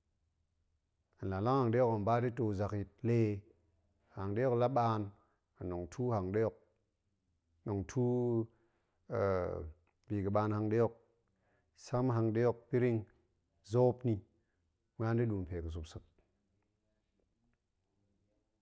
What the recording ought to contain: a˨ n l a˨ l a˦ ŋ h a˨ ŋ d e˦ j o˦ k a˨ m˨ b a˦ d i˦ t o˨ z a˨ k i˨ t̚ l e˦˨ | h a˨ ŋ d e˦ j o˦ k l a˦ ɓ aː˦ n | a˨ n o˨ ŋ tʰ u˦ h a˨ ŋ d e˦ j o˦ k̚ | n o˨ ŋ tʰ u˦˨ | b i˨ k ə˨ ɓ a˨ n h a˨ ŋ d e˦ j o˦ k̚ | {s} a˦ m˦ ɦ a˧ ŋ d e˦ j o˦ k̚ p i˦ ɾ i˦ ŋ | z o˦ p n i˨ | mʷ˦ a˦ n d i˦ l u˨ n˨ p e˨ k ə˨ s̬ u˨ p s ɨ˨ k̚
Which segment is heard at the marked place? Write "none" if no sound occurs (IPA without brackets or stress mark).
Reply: s